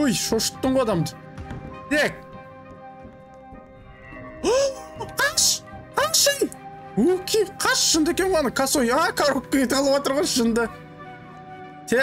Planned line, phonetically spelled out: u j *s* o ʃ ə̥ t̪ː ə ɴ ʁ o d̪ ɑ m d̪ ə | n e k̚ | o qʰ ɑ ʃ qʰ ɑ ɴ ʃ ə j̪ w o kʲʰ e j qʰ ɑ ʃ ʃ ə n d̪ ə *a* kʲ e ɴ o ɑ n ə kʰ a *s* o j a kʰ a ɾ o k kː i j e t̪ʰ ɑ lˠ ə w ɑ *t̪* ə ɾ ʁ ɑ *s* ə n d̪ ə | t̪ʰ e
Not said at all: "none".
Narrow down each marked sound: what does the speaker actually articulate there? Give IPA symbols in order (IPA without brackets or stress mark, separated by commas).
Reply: ʃ, e, s, t̪, ʃ